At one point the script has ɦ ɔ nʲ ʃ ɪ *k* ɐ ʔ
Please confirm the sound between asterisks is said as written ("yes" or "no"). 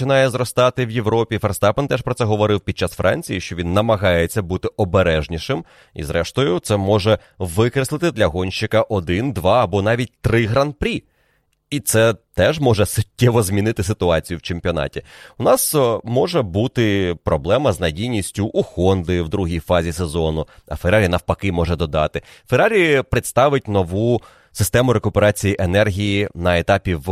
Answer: yes